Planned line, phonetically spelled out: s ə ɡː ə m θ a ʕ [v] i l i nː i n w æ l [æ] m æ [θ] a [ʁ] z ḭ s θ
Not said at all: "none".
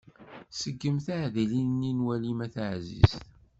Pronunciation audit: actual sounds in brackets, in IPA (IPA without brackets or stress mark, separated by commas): ð, i, θ, ʕ